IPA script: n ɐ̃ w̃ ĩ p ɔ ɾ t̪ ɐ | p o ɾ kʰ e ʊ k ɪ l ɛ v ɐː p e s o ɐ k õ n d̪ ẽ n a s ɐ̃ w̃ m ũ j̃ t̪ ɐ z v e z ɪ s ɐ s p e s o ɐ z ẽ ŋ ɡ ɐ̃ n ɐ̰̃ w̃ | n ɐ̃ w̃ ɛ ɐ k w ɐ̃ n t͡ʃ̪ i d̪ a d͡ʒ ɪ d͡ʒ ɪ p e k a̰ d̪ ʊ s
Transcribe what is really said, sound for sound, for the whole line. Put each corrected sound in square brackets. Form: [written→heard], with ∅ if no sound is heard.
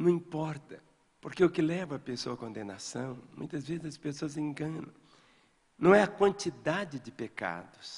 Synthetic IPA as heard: n ɐ̃ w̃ ĩ p ɔ ɾ t̪ ɐ | p o ɾ [kʰ→k] e ʊ k ɪ l ɛ v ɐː p e s o ɐ k õ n d̪ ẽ n a s ɐ̃ w̃ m ũ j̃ t̪ ɐ z v e z ɪ [s→z] ɐ s p e s o ɐ z ẽ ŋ ɡ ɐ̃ n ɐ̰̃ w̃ | n ɐ̃ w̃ ɛ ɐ k w ɐ̃ n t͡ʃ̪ i d̪ a d͡ʒ ɪ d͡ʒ ɪ p e k a̰ d̪ ʊ s